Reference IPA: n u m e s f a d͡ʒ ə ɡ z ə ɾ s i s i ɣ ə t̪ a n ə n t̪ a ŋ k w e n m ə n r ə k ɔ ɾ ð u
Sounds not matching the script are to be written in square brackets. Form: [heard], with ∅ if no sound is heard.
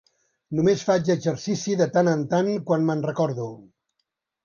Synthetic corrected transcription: n u m e s f a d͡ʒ ə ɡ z ə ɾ s i s i [ð] ə t̪ a n ə n t̪ a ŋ k w [a] n m ə n r ə k ɔ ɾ ð u